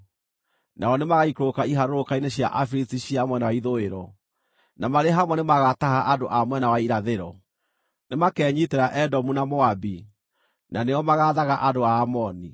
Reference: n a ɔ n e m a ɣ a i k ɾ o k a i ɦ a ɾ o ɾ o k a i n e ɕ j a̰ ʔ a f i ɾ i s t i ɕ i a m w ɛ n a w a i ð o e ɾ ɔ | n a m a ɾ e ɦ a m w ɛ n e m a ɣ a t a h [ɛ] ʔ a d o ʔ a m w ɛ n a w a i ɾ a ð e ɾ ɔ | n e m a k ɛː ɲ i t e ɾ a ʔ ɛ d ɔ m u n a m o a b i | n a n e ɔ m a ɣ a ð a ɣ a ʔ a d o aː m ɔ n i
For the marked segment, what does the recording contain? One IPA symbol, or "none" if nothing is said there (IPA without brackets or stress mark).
a